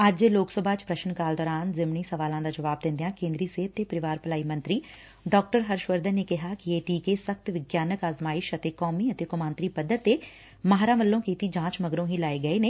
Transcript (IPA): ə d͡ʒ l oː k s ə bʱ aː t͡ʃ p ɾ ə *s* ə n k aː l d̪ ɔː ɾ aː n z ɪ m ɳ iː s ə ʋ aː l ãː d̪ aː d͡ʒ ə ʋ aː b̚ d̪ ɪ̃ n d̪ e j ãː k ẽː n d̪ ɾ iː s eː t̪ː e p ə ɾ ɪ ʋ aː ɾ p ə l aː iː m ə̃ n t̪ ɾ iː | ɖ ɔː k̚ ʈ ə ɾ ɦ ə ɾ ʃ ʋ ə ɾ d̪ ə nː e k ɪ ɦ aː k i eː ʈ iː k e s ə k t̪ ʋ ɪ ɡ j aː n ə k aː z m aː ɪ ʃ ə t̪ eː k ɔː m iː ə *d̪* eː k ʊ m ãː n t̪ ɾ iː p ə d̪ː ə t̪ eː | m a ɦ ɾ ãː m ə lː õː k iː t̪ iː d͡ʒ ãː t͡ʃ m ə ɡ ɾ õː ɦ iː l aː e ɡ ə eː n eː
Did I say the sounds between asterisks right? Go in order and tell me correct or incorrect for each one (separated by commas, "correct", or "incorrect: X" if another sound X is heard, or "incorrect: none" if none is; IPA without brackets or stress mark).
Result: incorrect: ʃ, incorrect: t̪